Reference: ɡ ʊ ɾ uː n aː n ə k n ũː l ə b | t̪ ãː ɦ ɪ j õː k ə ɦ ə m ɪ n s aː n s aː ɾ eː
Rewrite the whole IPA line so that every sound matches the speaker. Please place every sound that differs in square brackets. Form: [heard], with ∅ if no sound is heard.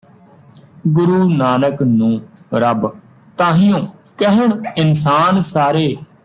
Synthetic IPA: ɡ ʊ ɾ uː n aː n ə k n ũː [ɾ] ə b | t̪ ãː ɦ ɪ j õː k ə ɦ ə [ɳ] ɪ n s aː n s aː ɾ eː